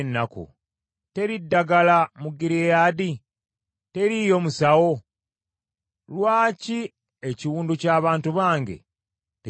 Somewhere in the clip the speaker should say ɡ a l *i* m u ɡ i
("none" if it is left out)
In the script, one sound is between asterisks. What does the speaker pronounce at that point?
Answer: a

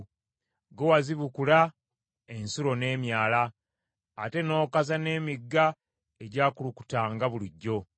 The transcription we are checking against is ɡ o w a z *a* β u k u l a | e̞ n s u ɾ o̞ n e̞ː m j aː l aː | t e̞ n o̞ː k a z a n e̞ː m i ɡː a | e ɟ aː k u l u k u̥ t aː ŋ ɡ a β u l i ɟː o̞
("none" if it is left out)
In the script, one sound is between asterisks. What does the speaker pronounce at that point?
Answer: i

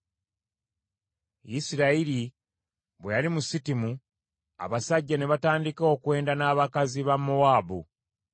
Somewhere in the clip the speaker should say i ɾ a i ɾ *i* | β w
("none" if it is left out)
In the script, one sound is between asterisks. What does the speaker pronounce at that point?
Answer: i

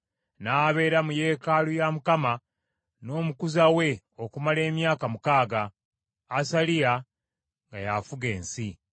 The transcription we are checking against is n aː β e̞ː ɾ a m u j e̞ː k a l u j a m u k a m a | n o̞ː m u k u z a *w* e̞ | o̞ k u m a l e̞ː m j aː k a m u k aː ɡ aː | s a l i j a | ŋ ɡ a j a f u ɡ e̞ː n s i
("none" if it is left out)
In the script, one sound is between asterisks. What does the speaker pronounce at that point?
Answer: w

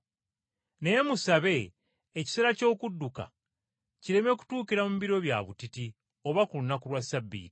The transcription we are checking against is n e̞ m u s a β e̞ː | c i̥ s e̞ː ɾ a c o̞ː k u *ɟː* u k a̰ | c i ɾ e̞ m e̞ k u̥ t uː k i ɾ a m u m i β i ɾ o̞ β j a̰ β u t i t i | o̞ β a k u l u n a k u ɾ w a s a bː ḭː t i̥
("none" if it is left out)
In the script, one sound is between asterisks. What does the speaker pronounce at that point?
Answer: dː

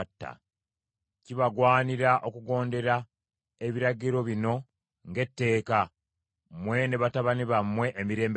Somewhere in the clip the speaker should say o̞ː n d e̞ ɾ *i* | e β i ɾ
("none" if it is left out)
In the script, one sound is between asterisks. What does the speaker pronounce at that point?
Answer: a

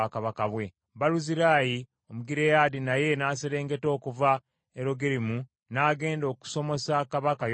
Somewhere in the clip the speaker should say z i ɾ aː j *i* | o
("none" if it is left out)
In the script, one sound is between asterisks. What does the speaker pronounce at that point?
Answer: i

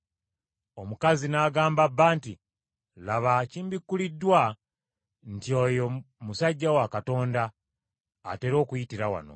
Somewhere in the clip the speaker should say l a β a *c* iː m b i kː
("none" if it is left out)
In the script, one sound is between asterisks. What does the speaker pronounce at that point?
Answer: c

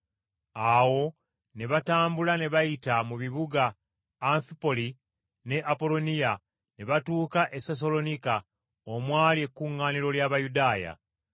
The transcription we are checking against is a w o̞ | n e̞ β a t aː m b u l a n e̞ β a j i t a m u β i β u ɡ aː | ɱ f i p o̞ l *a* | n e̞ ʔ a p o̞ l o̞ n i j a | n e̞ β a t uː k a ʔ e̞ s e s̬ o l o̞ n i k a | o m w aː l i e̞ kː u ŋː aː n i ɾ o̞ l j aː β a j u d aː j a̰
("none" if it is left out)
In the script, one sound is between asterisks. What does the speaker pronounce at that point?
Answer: i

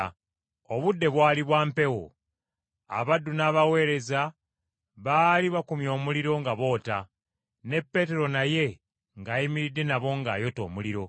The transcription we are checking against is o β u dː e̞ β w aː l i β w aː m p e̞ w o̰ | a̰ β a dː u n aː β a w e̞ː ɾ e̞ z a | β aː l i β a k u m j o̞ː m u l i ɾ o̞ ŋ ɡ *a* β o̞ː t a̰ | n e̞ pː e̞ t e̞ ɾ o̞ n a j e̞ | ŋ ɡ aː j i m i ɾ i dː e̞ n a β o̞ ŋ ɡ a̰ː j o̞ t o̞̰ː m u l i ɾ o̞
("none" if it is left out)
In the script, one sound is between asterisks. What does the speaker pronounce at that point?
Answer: a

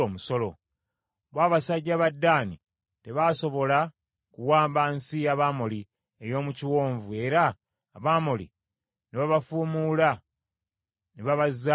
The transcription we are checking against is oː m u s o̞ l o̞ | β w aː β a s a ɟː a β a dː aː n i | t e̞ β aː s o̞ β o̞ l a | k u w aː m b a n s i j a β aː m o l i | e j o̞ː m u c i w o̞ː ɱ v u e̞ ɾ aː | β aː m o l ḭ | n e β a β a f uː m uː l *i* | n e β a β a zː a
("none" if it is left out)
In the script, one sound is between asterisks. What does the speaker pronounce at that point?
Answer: a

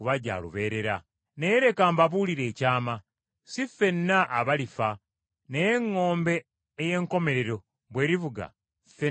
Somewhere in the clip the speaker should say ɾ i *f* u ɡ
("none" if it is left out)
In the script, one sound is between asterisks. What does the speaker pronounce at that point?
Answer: v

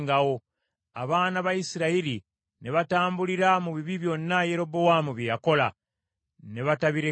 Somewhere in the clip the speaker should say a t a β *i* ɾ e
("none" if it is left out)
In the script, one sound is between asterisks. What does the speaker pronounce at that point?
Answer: i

